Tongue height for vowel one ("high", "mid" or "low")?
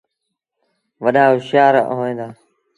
mid